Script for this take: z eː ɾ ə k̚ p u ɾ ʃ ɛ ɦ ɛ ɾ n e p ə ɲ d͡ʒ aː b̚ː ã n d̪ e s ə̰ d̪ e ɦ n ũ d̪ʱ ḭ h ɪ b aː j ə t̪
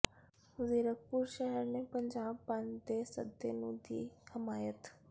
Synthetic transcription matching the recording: z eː ɾ ə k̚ p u ɾ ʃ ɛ ɦ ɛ ɾ n e p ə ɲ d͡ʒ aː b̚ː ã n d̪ e s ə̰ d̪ e n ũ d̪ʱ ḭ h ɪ m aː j ə t̪

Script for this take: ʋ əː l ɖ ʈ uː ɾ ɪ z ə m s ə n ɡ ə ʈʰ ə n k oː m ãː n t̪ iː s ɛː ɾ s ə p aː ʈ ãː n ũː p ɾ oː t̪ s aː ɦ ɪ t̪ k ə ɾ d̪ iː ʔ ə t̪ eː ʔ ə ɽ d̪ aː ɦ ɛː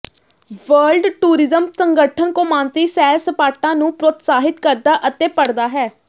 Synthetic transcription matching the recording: ʋ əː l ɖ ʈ uː ɾ ɪ z ə m s ə ŋ ɡ ə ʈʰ ə n k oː m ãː n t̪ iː s ɛː ɾ s ə p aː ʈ ãː n ũː p ɾ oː t̪ s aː ɦ ɪ t̪ k ə ɾ d̪ aː ʔ ə t̪ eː p ə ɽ d̪ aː ɦ ɛː

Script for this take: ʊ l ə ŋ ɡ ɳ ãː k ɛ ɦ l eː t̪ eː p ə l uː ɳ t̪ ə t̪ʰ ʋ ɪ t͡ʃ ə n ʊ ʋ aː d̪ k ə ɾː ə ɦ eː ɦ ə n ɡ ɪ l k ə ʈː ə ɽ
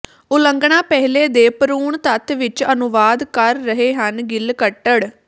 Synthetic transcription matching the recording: ʊ l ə ŋ ɡ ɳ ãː p ɛ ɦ l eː d̪ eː p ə ɾ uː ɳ t̪ ə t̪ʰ ʋ ɪ t͡ʃ ə n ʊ ʋ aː d̪ k ə ɾː ə ɦ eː ɦ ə n ɡ ɪ l k ə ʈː ə ɽ

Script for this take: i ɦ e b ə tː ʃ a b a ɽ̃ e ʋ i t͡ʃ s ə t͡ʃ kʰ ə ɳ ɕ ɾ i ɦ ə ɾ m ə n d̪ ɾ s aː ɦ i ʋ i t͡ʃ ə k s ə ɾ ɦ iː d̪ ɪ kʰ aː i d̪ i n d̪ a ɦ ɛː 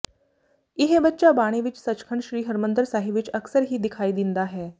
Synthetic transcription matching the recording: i ɦ e b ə tː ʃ a b a ɽ̃ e ʋ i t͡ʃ s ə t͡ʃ kʰ ə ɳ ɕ ɾ iː ɦ ə ɾ m ə n d̪ ɾ s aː ɦ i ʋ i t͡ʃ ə k s ə ɾ ɦ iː d̪ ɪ kʰ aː i d̪ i n d̪ a ɦ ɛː

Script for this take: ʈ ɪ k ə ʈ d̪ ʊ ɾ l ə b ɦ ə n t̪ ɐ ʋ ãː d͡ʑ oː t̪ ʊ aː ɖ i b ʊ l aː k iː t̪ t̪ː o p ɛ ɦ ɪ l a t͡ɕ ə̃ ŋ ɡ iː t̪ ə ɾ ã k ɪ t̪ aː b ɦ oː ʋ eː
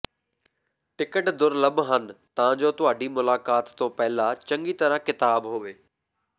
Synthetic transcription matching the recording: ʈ ɪ k ə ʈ d̪ ʊ ɾ l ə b ɦ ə n t̪ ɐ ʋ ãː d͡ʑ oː t̪ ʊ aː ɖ i m ʊ l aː k aː t̪ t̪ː õ p ɛ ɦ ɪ l a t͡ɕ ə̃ ŋ ɡ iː t̪ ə ɾ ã k ɪ t̪ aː b ɦ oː ʋ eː

